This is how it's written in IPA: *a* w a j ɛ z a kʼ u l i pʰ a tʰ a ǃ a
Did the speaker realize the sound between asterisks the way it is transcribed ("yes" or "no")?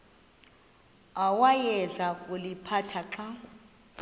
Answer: yes